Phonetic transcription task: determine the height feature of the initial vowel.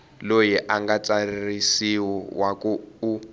mid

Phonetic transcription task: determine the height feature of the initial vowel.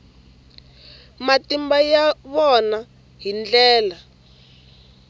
low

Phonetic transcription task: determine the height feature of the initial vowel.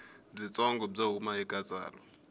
high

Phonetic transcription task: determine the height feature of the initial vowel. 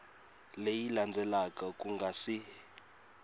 mid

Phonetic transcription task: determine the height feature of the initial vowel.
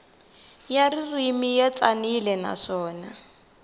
low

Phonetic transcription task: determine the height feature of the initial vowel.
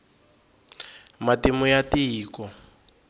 low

